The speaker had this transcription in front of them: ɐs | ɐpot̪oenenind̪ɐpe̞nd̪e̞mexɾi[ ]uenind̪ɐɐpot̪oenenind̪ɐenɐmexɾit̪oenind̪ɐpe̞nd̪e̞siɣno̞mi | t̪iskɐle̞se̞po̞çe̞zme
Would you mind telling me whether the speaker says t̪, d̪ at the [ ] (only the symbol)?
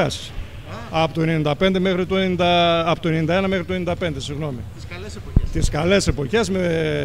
t̪